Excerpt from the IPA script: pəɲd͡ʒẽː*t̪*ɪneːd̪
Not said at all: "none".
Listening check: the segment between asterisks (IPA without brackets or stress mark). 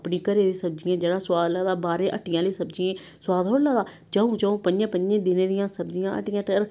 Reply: d̪